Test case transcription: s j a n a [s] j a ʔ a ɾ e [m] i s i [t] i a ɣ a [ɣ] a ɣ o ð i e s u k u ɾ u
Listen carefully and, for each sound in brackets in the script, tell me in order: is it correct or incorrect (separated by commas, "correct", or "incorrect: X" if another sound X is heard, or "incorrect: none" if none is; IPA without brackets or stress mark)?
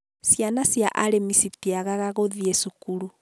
correct, correct, correct, correct